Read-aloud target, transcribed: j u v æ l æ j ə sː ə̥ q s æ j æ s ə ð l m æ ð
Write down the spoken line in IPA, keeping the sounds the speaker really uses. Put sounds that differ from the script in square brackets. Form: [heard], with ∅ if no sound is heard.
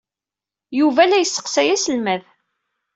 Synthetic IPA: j u v æ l æ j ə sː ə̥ q s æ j æ s ə [∅] l m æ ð